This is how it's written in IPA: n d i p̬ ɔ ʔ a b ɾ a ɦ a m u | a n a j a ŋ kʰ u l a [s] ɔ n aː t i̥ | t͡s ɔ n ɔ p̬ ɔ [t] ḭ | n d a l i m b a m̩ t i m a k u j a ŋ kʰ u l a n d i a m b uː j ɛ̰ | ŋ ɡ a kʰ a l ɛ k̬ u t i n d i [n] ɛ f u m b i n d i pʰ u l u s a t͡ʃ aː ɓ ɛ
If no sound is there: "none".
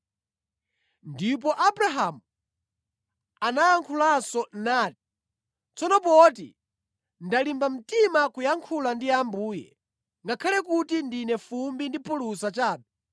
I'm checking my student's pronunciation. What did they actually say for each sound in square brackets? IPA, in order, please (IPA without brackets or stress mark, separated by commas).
s, t, n